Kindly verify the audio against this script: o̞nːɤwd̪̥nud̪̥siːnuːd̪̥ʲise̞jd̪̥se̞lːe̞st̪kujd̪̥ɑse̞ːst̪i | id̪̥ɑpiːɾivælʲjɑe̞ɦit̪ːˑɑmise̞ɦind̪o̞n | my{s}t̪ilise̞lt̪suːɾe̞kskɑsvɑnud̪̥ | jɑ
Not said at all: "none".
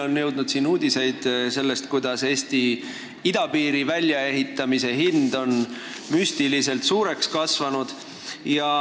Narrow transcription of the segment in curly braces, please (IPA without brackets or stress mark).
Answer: s